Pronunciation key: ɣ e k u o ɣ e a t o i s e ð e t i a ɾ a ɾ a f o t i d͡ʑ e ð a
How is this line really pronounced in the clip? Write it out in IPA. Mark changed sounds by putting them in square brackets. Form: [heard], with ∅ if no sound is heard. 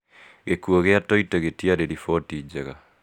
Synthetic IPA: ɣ e k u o ɣ e a t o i [t] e [ɣ] e t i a ɾ [e] ɾ [i] f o t i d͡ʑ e [ɣ] a